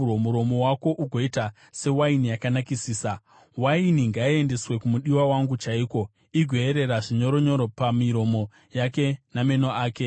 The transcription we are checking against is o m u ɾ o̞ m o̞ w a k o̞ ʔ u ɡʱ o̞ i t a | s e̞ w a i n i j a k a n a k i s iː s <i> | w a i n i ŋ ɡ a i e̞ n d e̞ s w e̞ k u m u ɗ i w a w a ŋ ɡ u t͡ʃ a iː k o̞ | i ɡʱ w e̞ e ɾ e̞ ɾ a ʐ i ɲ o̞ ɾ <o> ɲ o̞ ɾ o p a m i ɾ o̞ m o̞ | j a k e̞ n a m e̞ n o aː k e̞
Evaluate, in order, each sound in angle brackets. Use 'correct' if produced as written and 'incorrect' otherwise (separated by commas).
incorrect, correct